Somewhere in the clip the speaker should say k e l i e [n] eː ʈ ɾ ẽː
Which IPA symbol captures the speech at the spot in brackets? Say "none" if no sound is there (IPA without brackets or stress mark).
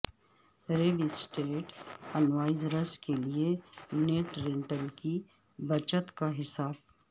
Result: n